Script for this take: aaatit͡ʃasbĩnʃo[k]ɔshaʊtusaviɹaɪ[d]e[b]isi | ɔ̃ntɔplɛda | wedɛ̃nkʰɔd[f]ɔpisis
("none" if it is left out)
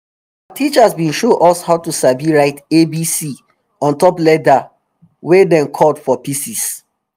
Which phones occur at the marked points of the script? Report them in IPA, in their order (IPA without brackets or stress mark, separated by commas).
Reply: ʔ, t, b, f